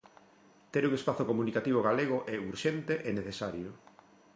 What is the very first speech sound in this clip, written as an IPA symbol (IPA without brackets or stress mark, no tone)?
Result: t̪